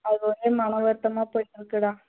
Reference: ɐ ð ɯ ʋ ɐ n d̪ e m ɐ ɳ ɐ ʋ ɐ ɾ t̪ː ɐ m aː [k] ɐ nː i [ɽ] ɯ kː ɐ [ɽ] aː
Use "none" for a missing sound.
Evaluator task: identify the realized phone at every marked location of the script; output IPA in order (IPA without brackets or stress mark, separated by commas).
p, ɾ, ɽ